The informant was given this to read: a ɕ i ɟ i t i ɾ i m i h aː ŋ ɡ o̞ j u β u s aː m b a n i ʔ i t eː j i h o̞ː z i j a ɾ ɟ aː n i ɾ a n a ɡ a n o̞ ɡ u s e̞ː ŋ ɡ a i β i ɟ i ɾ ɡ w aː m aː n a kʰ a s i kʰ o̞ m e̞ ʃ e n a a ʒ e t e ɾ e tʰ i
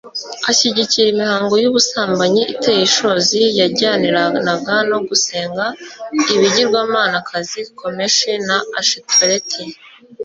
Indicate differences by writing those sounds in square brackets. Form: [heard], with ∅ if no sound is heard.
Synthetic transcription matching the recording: a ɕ i ɟ i [c] i ɾ i m i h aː ŋ ɡ o̞ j u β u s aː m b a [ɲ] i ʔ i t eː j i [ʃ] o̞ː z i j a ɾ ɟ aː n i ɾ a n a ɡ a n o̞ ɡ u s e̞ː ŋ ɡ a i β i ɟ i ɾ ɡ w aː m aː n a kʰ a [z] i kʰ o̞ m e̞ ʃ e n a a [ʃ] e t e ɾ e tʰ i